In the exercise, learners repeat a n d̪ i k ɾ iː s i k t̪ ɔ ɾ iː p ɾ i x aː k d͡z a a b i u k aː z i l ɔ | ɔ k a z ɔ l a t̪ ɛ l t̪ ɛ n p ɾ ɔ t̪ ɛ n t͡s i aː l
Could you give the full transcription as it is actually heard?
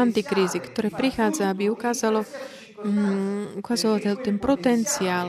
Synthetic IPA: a n t̪ i k ɾ iː z i k t̪ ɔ ɾ ɛː p ɾ i x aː d͡z a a b i u k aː z a l ɔ | u k a z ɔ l a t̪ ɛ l t̪ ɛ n p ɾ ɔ t̪ ɛ n t͡s i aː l